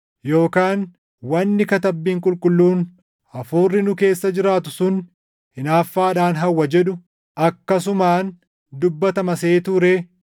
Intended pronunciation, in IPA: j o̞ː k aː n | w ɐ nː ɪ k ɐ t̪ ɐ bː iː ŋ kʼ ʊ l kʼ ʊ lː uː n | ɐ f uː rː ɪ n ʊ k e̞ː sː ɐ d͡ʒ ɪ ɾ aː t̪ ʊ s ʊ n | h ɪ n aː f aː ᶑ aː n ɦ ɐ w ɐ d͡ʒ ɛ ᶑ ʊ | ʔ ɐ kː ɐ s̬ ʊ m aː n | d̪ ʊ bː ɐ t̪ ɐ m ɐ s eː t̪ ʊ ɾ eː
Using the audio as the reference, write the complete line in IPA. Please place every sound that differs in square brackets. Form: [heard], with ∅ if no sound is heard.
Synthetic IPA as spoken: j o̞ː k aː n | w ɐ nː ɪ k ɐ t̪ ɐ bː iː ŋ kʼ ʊ l kʼ ʊ lː uː n | ɐ f uː rː ɪ n ʊ k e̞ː sː ɐ d͡ʒ ɪ ɾ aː t̪ ʊ s ʊ n | h ɪ n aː [fː] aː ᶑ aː n ɦ ɐ [wː] ɐ d͡ʒ ɛ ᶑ ʊ | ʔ ɐ kː ɐ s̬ ʊ m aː n | d̪ ʊ bː ɐ t̪ ɐ m ɐ s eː t̪ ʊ ɾ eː